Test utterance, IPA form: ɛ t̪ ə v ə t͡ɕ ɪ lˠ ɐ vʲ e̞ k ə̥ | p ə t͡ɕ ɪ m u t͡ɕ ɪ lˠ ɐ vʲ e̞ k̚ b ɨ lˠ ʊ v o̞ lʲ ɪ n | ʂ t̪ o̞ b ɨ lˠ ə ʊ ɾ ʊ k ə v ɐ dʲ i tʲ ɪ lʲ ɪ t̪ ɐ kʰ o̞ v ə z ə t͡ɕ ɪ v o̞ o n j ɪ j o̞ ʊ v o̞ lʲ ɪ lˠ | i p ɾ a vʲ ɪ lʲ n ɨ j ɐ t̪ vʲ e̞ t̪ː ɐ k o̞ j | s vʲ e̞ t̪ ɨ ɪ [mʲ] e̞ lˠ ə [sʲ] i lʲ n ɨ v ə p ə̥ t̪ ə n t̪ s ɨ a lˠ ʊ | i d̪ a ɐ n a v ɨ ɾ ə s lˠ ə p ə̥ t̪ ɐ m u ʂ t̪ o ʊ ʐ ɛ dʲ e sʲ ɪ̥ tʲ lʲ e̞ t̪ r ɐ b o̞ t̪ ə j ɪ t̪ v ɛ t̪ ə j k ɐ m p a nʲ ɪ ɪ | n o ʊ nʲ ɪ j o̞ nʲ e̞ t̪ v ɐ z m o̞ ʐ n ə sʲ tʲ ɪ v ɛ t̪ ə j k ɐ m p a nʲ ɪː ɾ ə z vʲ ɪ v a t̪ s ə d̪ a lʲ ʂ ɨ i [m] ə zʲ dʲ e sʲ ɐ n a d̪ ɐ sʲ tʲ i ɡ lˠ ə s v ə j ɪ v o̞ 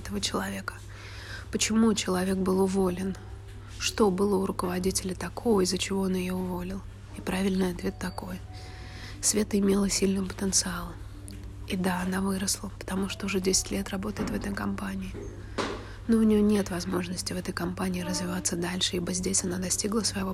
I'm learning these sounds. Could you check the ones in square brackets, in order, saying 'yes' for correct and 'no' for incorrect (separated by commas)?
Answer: yes, yes, no